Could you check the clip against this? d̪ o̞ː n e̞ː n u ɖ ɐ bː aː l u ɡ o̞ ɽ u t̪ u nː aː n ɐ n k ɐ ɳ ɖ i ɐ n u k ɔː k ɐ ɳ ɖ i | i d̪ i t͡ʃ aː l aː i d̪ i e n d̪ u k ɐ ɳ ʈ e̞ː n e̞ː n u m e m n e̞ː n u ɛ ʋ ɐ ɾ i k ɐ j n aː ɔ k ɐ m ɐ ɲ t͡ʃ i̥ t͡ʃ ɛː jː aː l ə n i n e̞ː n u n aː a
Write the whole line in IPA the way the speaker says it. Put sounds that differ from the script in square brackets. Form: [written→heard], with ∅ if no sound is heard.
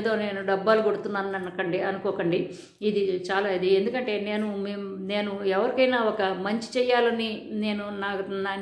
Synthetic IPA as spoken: d̪ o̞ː n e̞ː n u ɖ ɐ bː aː l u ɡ o̞ ɽ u t̪ u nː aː n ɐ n k ɐ ɳ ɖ i ɐ n u k ɔː k ɐ ɳ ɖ i | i d̪ i t͡ʃ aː l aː i d̪ i e n d̪ u k ɐ ɳ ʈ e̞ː n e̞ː n u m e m n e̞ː n u ɛ ʋ ɐ ɾ i k ɐ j n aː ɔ k ɐ m ɐ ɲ t͡ʃ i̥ t͡ʃ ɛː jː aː l [ə→ɐ] n i n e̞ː n u n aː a